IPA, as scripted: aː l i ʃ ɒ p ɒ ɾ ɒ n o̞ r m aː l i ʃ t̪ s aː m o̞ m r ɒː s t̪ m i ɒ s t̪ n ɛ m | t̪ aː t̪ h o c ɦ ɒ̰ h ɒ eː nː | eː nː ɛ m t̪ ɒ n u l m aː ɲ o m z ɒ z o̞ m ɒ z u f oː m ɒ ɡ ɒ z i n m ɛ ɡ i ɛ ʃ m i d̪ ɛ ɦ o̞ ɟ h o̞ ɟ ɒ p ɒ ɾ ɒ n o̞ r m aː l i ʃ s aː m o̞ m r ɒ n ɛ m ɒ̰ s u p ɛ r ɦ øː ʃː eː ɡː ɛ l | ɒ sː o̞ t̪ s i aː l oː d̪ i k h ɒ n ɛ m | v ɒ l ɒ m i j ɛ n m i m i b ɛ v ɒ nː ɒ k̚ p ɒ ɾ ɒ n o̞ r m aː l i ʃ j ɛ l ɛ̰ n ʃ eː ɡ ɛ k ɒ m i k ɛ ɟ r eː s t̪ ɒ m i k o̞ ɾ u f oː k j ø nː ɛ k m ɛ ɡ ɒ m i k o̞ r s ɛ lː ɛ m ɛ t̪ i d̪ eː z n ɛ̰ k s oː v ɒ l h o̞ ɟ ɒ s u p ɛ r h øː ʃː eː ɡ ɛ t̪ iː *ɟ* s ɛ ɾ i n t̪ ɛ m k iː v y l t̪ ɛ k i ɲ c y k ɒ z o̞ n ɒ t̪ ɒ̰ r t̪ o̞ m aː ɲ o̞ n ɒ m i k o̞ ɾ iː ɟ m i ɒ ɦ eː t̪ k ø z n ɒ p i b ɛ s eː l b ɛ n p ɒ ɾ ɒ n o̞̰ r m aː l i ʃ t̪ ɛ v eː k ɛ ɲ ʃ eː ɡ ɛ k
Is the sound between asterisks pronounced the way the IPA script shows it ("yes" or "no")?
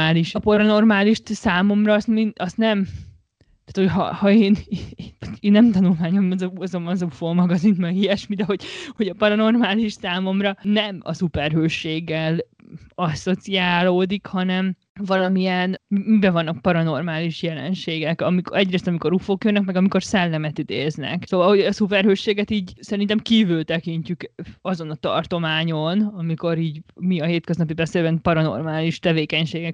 yes